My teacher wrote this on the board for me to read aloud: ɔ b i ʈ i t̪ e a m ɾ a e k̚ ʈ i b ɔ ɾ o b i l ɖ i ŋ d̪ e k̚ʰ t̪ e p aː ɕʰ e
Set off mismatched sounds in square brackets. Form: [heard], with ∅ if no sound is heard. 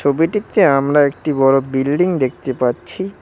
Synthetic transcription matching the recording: [o] b i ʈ i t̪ e a m ɾ a e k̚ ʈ i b ɔ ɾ o b i l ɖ i ŋ d̪ e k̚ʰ t̪ e p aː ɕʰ [i]